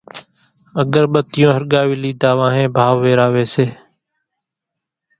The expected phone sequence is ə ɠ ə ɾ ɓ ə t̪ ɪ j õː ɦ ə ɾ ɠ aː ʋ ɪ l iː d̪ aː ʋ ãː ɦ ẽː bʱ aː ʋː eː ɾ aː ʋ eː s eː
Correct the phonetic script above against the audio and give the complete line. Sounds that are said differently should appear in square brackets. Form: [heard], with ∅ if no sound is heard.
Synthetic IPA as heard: ə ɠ ə ɾ ɓ ə t̪ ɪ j õː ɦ ə ɾ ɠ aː ʋ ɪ l iː d̪ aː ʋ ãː ɦ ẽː bʱ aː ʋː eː ɾ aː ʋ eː s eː